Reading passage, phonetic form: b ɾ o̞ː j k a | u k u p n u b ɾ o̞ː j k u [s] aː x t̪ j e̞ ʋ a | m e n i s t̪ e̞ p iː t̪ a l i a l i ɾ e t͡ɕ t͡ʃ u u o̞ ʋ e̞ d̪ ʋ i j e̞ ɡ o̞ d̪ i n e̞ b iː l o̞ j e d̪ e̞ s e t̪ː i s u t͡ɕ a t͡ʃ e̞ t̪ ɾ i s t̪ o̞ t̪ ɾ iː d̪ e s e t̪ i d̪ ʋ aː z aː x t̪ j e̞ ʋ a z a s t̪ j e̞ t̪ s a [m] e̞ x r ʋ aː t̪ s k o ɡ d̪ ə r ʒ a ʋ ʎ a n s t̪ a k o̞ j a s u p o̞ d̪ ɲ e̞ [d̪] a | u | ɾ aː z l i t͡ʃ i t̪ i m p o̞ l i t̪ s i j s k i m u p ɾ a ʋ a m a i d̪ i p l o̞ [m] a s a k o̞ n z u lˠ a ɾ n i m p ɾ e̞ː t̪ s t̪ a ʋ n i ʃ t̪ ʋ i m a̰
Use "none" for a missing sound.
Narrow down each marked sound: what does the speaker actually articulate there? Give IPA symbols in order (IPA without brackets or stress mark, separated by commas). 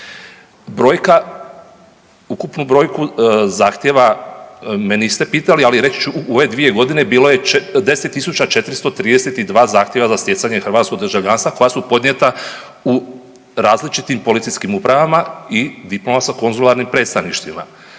z, ɲ, t̪, m